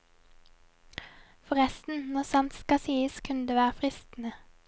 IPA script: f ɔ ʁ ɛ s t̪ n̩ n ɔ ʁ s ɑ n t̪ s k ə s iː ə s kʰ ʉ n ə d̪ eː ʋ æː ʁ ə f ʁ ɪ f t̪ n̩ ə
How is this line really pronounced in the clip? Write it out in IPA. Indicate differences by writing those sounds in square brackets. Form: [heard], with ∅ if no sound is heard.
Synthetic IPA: f ɔ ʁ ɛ s t̪ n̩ n ɔ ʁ s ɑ n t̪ s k [ɑ] s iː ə s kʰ ʉ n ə d̪ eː ʋ æː ʁ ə f ʁ ɪ [s] t̪ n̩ ə

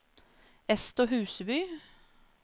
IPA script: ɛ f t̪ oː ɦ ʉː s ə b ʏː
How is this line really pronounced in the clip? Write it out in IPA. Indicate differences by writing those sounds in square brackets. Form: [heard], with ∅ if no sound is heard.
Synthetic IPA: ɛ [s] t̪ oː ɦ ʉː s ə b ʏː

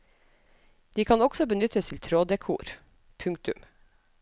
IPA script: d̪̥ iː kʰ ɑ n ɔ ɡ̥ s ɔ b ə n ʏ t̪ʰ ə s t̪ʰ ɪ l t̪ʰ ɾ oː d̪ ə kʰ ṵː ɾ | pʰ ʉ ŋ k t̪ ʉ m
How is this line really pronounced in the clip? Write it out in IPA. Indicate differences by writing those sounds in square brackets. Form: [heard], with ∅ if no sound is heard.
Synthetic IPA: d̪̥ iː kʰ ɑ n ɔ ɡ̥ s ɔ b ə n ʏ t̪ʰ ə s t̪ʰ ɪ l t̪ʰ ɾ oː d̪ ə kʰ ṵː ɾ | pʰ ʉ ŋ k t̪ ʉ m

